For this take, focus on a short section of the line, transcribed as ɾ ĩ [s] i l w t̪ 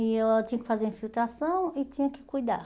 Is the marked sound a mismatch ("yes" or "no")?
yes